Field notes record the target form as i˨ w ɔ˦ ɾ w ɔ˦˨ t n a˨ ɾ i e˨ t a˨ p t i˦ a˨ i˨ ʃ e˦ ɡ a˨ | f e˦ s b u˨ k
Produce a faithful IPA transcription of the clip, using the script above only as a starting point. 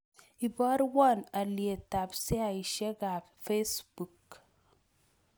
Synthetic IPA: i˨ b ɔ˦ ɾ w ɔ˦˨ n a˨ l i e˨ t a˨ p s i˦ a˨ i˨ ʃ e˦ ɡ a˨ | f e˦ s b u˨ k

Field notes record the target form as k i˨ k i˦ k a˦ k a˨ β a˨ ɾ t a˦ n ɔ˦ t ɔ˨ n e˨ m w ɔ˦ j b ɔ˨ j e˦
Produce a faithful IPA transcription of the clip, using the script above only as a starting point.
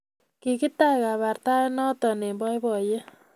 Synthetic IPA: k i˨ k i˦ t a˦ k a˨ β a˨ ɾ t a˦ n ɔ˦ t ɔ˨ n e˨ m b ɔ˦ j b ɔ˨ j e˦

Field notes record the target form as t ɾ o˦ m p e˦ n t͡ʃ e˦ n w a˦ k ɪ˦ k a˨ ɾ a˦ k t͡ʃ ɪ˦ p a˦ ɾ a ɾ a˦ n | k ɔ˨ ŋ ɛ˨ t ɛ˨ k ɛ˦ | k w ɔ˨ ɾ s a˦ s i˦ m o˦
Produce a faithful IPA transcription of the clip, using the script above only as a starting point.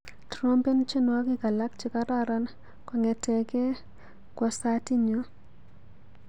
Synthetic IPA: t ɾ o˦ m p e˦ n t͡ʃ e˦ n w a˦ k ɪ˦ k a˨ l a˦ k t͡ʃ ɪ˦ k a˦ ɾ a ɾ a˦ n | k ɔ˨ ŋ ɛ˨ t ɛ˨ k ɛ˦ | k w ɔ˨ s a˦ t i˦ ɲ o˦

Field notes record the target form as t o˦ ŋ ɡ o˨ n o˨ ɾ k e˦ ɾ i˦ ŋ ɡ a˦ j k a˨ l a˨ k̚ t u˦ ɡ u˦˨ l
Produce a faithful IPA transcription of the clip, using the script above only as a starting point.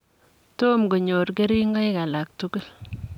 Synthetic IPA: t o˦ m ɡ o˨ ɲ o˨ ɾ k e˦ ɾ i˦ ŋ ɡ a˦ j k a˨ l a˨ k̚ t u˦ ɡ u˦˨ l

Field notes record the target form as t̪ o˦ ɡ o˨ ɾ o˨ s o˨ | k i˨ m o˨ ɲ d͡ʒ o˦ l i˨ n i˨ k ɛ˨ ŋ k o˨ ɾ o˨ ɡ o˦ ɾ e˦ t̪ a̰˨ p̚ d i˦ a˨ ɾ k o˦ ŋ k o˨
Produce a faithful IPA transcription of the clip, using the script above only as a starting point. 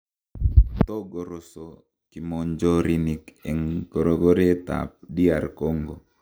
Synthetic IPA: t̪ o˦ ɡ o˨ ɾ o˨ s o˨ | k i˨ m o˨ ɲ d͡ʒ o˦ ɾ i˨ n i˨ k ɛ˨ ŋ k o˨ ɾ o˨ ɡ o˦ ɾ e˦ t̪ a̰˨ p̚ d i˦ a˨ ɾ k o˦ ŋ ɡ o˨

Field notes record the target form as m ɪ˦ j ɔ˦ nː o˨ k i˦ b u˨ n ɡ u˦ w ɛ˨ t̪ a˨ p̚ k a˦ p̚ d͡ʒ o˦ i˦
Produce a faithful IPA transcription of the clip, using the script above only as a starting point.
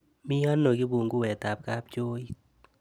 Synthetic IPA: m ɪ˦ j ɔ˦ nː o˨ ɡ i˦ b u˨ ŋ ɡ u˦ w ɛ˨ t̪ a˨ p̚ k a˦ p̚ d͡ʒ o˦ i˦

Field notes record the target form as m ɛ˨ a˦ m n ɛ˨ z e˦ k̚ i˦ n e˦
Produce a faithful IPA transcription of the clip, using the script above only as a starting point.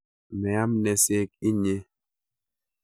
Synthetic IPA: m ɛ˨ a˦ m n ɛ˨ s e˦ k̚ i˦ ɲ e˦

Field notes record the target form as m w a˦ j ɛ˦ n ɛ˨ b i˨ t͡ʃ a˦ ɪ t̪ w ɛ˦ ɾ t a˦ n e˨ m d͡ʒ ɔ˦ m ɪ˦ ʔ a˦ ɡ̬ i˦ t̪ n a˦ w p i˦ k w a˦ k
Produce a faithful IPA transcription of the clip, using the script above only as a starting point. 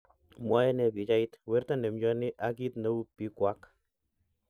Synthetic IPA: m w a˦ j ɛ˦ n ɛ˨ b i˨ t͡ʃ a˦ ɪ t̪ w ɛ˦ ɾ t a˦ n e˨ m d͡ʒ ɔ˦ n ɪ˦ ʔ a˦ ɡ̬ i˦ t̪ n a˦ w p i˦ k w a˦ k

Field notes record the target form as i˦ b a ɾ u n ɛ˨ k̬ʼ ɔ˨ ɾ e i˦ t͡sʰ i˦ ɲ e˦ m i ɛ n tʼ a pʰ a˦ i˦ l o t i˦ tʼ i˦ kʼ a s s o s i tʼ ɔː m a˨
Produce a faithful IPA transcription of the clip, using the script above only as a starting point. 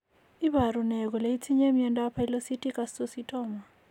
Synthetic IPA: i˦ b a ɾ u n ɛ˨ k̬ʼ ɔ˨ l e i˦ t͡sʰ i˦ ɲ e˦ m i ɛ n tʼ a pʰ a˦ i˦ l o s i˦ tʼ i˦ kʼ a s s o s i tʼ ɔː m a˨

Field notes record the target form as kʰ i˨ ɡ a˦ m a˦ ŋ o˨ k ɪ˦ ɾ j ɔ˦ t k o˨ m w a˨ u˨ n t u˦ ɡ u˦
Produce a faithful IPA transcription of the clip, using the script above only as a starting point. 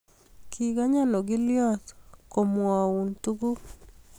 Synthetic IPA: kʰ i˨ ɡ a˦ ɲ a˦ n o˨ ɡ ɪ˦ l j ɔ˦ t k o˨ m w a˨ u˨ n t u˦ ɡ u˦

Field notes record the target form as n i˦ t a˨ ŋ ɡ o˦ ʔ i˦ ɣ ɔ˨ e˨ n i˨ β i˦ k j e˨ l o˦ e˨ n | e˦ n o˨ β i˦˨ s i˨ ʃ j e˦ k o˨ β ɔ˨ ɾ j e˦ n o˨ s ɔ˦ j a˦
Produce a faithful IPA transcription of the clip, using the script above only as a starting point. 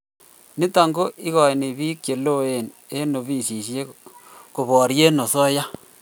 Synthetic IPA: n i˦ t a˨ ŋ ɡ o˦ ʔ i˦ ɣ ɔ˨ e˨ n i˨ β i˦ k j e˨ l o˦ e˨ n | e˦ n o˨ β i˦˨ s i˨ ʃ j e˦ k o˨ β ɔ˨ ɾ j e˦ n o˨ s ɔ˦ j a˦

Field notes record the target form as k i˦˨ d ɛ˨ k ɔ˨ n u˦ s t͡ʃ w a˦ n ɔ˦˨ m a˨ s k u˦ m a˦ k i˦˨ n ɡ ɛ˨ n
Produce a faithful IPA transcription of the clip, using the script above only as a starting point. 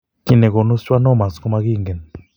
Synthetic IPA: k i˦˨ n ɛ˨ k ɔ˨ n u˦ s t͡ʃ w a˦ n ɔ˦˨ m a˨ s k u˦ m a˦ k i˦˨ ŋ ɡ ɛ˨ n

